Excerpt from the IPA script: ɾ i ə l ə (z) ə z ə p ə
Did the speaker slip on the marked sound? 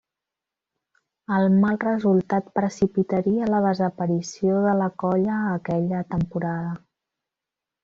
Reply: yes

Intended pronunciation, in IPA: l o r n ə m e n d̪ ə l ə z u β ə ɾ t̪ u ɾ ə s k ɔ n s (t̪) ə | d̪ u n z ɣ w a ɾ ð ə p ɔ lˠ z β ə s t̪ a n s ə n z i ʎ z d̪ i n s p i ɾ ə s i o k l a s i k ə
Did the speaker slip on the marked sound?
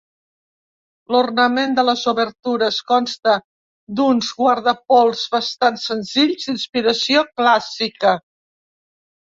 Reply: no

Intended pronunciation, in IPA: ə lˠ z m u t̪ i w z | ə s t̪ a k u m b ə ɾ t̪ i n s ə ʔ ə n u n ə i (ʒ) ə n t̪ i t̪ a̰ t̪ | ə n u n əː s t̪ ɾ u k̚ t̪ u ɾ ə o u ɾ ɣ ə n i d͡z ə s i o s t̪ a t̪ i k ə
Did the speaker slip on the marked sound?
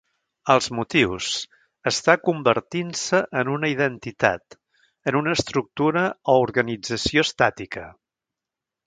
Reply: yes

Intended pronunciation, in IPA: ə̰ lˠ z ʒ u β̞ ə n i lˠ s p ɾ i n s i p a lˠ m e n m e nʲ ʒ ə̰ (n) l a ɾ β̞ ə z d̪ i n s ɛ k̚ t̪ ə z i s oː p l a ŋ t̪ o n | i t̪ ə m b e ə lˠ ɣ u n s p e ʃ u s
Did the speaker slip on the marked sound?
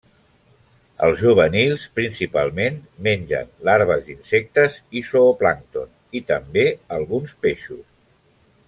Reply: no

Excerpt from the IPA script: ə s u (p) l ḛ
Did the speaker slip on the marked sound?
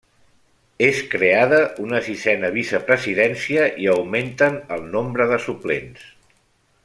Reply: no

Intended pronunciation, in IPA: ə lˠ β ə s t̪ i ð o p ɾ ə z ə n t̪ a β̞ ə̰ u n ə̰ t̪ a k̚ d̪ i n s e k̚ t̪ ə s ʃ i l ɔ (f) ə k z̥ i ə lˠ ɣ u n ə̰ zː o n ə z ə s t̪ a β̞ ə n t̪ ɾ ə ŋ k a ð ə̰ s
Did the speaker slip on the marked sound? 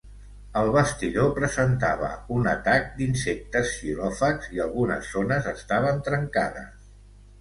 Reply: no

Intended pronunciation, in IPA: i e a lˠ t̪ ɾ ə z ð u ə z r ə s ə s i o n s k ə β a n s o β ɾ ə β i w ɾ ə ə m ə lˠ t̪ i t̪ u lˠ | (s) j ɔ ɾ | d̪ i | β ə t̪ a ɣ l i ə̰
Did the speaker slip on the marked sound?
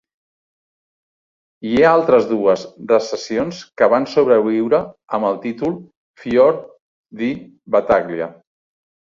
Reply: yes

